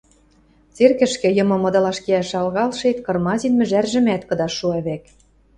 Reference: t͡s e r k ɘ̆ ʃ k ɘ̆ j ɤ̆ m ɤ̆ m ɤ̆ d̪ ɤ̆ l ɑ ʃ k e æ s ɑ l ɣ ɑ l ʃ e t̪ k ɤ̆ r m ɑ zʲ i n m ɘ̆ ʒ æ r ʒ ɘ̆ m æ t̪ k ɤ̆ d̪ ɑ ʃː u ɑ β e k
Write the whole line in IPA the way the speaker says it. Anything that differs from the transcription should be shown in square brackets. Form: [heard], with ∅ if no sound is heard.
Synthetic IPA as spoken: t͡s e r k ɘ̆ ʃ k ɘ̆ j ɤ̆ m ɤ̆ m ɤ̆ d̪ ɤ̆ l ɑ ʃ k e æ [ʃ] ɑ l ɣ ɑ l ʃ e t̪ k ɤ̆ r m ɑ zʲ i n m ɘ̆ ʒ æ r ʒ ɘ̆ m æ t̪ k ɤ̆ d̪ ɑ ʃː u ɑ β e k